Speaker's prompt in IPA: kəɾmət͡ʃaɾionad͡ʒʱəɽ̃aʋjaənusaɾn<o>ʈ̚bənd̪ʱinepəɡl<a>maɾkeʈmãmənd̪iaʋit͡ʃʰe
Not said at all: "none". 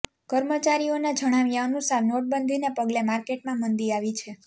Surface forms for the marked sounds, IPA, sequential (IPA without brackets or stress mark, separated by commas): o, e